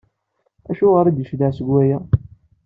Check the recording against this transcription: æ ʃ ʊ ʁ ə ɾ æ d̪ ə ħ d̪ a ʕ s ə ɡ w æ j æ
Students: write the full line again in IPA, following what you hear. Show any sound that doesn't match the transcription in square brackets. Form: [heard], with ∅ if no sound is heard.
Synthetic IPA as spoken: æ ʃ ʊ ʁ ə ɾ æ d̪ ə [ʃ] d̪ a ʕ s ə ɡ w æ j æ